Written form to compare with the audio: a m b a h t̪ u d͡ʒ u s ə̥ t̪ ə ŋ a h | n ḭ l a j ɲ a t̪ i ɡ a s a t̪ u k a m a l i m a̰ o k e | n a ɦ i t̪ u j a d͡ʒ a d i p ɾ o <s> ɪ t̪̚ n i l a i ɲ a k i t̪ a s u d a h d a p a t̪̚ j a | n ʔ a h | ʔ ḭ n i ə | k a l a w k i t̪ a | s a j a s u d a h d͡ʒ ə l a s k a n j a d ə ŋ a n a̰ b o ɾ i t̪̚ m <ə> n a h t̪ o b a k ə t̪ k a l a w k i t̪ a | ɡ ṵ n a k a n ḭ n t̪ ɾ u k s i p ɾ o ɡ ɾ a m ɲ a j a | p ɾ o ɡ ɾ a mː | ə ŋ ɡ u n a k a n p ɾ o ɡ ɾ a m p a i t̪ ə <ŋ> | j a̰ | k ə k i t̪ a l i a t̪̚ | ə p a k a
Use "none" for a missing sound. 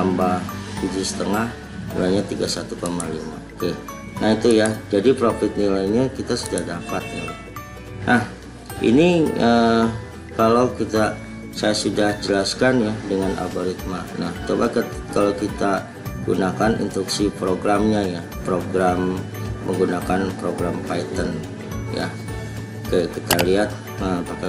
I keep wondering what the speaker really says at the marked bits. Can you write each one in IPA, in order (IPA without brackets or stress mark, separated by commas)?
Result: f, a, n